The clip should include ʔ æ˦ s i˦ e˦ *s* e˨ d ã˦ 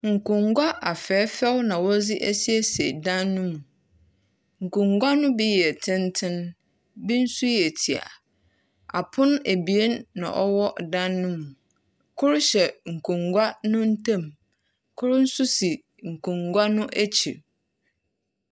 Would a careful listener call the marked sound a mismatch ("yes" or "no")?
no